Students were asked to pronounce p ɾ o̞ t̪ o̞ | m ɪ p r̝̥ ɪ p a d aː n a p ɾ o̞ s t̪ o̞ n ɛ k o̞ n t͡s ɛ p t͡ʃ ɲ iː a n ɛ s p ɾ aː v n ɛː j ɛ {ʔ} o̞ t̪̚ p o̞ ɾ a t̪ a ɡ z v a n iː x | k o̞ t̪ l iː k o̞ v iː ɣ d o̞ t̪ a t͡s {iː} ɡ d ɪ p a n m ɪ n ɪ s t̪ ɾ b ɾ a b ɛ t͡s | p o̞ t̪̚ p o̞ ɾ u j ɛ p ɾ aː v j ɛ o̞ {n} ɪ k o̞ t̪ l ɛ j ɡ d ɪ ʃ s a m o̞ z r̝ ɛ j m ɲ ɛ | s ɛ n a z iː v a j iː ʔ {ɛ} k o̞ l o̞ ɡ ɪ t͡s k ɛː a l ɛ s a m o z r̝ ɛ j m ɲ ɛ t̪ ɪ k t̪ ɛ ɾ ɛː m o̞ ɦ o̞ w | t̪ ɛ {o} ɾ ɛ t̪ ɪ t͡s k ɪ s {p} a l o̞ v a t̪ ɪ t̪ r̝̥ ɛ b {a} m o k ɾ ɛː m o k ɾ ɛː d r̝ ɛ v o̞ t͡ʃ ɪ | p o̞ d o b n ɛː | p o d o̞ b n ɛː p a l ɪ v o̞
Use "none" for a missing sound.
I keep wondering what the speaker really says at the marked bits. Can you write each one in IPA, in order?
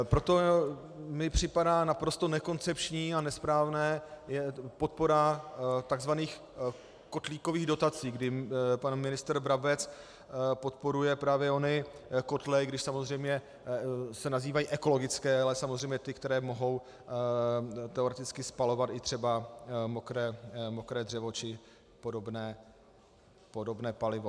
p, iː, n, ɛ, o, p, a

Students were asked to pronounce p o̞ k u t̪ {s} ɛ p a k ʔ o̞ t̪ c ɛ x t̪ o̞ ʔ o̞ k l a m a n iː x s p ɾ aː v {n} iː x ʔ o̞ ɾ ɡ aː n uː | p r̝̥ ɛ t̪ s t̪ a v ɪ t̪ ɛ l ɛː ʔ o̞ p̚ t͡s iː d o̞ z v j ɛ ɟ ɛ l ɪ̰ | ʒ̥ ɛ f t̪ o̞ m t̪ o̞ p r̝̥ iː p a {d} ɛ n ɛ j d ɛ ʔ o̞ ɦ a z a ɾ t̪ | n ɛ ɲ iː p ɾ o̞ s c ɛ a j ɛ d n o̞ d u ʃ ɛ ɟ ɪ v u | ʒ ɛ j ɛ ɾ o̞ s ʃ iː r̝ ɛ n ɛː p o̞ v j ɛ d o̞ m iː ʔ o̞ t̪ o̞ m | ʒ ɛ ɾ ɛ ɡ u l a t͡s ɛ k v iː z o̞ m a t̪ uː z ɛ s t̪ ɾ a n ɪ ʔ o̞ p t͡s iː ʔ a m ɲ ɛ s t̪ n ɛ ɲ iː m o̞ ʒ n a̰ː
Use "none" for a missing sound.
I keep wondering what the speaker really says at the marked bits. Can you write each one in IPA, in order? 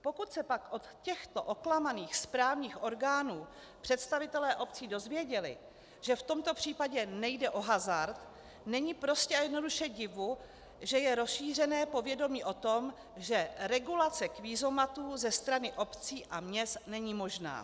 s, ɲ, ɟ

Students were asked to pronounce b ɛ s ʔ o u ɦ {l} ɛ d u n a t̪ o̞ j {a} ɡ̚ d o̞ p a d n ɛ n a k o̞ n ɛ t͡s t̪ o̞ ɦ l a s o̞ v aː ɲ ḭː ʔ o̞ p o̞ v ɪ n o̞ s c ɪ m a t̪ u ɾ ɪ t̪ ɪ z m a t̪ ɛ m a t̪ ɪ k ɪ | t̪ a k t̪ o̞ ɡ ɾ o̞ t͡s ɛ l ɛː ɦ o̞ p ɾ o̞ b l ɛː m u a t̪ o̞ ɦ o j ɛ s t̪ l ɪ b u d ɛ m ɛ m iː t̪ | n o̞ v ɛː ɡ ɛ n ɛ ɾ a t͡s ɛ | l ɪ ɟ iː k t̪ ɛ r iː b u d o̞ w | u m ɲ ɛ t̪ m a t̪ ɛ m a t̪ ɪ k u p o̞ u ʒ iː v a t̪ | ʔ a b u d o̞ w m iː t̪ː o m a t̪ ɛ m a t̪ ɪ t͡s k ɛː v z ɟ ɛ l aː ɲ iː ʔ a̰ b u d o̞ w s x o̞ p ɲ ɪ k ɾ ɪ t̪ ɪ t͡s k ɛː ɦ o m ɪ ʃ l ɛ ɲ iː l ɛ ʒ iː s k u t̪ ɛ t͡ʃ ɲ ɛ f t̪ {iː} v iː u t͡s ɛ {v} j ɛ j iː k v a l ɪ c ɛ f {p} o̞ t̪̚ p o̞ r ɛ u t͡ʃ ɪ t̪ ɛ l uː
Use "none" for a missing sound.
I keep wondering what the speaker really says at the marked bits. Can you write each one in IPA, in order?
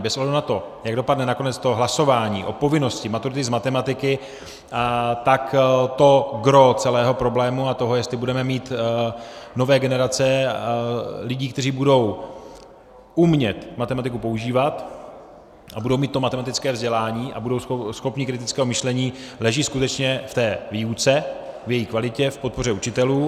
l, a, ɛː, v, p

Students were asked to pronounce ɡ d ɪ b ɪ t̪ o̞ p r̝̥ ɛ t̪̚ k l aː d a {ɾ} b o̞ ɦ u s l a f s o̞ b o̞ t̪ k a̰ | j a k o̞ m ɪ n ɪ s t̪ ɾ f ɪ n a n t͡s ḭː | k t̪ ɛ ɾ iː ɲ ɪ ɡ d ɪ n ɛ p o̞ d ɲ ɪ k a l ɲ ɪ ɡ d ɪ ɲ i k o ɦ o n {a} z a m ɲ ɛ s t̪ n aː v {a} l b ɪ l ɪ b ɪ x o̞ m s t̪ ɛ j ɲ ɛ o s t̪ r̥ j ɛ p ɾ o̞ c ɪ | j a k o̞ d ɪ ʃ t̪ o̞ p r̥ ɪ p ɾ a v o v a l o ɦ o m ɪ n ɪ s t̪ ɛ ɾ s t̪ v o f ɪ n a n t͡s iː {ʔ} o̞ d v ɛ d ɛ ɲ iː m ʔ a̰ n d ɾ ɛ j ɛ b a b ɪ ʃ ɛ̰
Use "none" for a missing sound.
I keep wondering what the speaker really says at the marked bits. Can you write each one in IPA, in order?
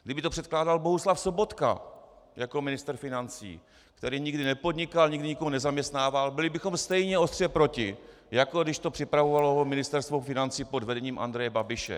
l, ɛ, a, p

